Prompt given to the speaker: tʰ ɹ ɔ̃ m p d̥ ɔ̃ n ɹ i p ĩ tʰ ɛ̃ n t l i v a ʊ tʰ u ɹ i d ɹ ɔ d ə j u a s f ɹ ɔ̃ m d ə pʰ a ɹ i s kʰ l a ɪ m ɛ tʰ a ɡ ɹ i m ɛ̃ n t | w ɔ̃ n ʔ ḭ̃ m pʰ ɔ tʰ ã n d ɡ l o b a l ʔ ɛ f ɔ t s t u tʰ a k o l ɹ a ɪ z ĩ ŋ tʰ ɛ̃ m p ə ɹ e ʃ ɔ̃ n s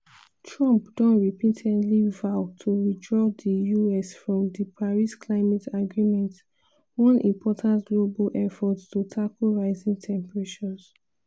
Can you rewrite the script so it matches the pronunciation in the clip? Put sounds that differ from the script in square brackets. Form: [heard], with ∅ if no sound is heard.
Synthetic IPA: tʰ ɹ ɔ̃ m p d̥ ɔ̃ n ɹ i p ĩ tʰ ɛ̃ n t l i v a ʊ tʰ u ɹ i d ɹ ɔ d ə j u [ɛ] s f ɹ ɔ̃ m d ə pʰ a ɹ i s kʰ l a ɪ m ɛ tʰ a ɡ ɹ i m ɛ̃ n t | w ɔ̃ n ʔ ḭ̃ m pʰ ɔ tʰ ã n [t] ɡ l o b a l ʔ ɛ f ɔ t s t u tʰ a k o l ɹ a ɪ z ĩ ŋ tʰ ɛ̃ m p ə ɹ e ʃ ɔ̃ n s